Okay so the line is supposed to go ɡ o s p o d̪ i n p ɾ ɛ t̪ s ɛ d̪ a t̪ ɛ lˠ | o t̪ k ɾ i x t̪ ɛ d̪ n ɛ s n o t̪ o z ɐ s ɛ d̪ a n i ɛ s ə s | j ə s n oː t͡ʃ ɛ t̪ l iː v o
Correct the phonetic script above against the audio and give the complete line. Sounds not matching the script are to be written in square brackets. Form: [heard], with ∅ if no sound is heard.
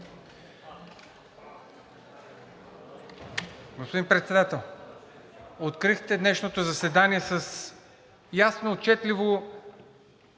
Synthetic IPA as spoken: ɡ o s p o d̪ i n p ɾ ɛ t̪ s ɛ d̪ a t̪ ɛ lˠ | o t̪ k ɾ i x t̪ ɛ d̪ n ɛ [ʃ] n o t̪ o z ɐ s ɛ d̪ a n i ɛ s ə s | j [a] s n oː t͡ʃ ɛ t̪ l [i] v o